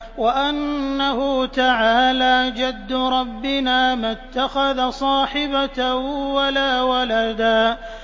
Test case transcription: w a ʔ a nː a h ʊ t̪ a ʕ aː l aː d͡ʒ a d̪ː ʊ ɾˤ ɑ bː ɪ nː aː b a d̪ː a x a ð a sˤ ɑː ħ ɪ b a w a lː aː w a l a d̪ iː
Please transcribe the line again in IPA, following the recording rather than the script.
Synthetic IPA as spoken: w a ʔ a nː a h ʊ t̪ a ʕ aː l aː d͡ʒ a d̪ː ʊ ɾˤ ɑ bː ɪ n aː m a t̪ː a x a ð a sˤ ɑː ħ ɪ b a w a l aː w a l a d̪ aː